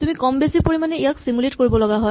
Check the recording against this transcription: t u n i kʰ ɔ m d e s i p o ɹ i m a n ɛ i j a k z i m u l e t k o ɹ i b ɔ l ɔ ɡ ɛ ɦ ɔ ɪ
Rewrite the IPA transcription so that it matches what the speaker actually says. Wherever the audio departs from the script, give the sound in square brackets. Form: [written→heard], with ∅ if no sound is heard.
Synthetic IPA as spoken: t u [n→m] i [kʰ→k] ɔ m [d→b] e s i p o ɹ i m a n ɛ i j a k [z→s] i m u l e t k o ɹ i b ɔ l ɔ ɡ [ɛ→a] ɦ ɔ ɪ